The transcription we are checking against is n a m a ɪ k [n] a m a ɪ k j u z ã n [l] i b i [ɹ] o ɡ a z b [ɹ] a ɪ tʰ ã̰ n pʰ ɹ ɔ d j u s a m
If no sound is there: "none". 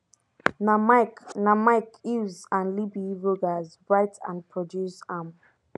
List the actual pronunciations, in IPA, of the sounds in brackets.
n, l, ɹ, ɹ

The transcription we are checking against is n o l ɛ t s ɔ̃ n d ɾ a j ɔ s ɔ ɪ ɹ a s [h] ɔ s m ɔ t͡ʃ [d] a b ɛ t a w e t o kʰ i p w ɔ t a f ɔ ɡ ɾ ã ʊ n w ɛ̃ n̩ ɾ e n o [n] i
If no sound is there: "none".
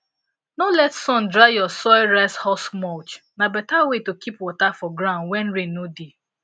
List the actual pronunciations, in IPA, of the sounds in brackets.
h, n, d

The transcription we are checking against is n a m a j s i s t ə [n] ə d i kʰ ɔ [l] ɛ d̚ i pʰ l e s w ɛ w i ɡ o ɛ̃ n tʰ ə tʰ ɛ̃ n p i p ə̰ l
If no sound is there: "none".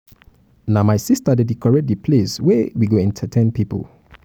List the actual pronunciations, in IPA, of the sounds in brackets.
d, ɹ

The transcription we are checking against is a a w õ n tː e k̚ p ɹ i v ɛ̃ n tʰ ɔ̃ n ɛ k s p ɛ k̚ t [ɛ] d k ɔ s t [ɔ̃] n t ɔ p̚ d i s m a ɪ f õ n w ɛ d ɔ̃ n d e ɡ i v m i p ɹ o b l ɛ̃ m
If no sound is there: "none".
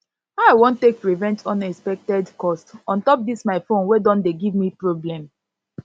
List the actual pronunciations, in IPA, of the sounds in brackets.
ɛ, ɔ̃

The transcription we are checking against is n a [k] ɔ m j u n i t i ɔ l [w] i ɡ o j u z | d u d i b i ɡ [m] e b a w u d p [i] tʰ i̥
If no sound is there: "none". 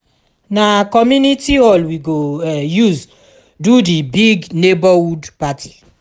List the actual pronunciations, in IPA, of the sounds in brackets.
k, w, n, a

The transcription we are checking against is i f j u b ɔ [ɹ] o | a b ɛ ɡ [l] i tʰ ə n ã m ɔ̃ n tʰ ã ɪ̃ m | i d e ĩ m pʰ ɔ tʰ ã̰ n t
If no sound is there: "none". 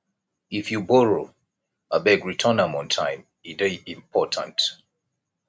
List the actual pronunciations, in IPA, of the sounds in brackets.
ɹ, ɹ

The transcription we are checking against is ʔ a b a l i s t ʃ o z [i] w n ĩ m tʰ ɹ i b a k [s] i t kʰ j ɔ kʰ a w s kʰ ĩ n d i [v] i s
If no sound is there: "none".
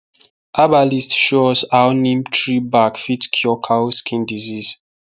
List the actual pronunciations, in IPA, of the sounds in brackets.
a, f, z

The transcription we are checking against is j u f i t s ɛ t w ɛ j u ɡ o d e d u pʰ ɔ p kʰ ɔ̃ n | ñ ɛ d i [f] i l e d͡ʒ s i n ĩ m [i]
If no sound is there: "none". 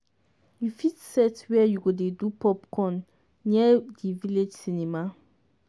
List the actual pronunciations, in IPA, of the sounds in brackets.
v, a

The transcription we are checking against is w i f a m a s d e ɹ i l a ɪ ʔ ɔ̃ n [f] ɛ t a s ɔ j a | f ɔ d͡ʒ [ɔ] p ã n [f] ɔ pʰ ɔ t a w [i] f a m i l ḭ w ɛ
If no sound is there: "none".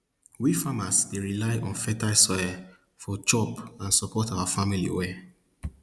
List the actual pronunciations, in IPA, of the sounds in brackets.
f, ɔ, s, a

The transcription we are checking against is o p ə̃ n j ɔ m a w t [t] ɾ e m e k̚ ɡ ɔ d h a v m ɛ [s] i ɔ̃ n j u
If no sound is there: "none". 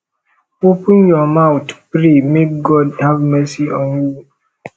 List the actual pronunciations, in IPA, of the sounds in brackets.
p, s

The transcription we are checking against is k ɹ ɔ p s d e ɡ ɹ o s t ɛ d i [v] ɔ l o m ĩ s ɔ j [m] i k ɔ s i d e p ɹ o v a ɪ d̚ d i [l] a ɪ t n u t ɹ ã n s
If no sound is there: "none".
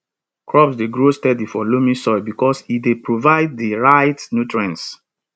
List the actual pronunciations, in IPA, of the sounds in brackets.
f, b, ɹ

